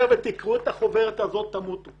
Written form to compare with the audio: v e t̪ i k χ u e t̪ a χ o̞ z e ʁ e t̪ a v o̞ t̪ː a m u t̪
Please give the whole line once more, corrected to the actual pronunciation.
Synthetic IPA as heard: v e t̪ i k ʁ u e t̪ a χ o̞ v e ʁ e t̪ a z o̞ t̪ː a m u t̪